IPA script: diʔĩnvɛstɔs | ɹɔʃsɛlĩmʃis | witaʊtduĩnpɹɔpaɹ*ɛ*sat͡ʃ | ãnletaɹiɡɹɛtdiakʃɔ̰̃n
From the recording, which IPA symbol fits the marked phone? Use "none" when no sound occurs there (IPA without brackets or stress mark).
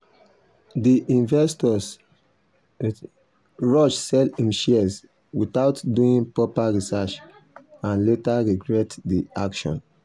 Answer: i